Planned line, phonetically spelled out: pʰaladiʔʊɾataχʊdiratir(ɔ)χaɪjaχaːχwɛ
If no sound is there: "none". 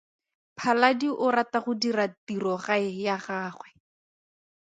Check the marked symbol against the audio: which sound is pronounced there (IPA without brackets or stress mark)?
ɔ